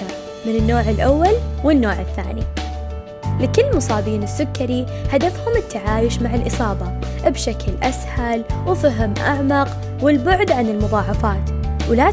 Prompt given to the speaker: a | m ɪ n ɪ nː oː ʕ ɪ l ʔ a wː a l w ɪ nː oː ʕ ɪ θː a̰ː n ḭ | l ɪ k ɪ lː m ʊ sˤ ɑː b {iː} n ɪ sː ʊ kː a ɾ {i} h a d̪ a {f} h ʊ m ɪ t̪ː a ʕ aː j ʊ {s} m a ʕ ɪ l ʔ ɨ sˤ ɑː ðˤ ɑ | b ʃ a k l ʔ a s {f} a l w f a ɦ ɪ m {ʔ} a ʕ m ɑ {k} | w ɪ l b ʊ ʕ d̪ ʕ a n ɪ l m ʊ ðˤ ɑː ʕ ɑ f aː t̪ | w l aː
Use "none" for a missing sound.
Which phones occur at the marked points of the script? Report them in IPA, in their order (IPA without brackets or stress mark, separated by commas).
iː, i, f, ʃ, h, ʔ, q